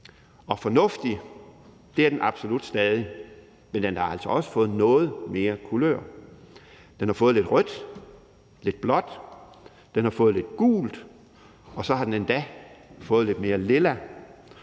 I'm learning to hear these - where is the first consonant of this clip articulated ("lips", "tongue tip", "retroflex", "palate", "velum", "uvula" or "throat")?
lips